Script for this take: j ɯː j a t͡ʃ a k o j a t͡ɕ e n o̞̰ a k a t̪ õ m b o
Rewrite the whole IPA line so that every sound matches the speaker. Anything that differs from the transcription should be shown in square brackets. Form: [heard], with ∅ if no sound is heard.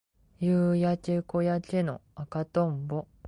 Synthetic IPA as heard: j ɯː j a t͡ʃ [e] k o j a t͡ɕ e n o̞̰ a k a t̪ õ m b o